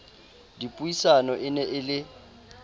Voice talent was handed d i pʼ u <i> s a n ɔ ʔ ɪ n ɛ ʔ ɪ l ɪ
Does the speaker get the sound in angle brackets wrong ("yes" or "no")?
no